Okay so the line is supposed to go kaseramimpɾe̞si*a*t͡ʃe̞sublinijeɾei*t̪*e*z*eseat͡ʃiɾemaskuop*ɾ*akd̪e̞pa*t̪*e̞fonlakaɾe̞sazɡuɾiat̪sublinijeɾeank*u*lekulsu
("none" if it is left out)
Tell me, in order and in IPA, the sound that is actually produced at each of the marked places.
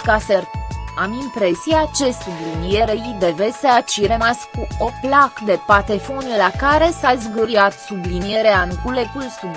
a, d̪, v, l, t̪, u

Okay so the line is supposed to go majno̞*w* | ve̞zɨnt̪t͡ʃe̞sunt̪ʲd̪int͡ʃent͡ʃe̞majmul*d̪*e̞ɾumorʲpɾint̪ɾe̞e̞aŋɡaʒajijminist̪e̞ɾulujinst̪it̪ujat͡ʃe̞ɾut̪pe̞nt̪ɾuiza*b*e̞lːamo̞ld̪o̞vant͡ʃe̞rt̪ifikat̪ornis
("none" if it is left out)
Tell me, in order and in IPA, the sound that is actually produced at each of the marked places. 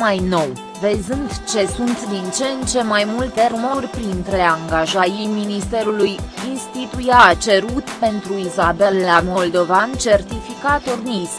w, t̪, b

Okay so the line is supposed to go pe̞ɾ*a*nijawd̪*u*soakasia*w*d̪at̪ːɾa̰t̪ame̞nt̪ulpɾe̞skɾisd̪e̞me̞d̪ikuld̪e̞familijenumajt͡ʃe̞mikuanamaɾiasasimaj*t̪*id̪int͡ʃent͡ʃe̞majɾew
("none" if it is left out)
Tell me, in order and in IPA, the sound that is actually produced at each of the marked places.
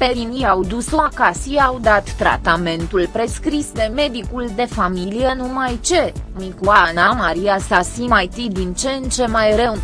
i, u, w, t̪

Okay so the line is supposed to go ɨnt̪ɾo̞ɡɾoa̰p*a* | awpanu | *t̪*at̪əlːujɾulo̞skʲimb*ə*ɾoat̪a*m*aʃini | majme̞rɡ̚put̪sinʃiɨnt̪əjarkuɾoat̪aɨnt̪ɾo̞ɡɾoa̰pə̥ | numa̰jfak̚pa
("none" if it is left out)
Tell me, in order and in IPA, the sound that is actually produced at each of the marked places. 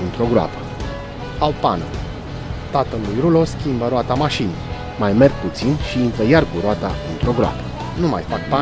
ə, t̪, ə, m

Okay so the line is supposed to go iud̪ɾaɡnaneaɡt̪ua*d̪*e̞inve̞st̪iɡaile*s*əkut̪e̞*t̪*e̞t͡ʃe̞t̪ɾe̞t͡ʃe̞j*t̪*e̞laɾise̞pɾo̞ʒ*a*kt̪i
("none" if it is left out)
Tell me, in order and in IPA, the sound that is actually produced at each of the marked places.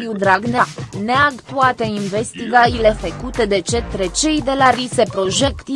t̪, f, d̪, d̪, e

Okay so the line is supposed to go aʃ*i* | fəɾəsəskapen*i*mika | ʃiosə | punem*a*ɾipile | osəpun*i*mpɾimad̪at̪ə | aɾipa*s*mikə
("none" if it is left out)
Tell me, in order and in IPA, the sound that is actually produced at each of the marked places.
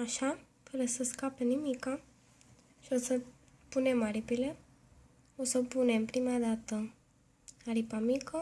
a, i, a, e, none

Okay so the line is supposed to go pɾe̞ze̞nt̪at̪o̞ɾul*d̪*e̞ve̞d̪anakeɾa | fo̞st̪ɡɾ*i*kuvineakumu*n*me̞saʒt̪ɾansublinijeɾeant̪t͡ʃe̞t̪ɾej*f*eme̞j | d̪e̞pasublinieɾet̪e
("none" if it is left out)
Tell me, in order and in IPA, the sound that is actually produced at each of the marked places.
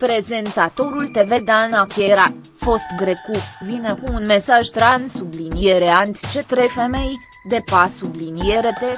t̪, e, n, f

